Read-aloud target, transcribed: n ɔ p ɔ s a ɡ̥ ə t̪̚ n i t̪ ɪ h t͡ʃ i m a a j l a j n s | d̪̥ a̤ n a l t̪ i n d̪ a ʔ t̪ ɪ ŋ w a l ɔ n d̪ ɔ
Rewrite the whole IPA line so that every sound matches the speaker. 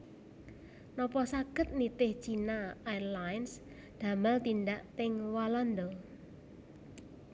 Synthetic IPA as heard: n ɔ p ɔ s a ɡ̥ ə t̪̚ n i t̪ ɪ h t͡ʃ i n a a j l a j n s | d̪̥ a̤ m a l t̪ i n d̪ a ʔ t̪ ɪ ŋ w a l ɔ n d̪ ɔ